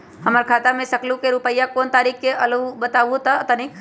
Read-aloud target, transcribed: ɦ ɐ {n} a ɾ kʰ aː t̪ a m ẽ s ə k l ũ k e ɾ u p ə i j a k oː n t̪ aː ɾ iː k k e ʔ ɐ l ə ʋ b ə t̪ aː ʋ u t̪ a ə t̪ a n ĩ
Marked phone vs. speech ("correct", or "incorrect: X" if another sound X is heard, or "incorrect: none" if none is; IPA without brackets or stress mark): incorrect: m